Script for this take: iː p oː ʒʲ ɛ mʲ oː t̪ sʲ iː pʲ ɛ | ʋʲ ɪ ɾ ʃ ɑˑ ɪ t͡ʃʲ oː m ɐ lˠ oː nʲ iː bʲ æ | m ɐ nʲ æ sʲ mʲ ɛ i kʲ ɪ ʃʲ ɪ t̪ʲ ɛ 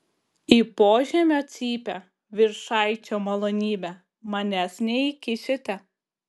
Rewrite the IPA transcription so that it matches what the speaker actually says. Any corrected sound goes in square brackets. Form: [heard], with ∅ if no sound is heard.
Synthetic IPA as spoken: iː p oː ʒʲ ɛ mʲ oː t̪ sʲ iː pʲ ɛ | ʋʲ ɪ ɾ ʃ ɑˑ ɪ t͡ʃʲ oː m ɐ lˠ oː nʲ iː bʲ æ | m ɐ nʲ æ sʲ [nʲ] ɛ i kʲ ɪ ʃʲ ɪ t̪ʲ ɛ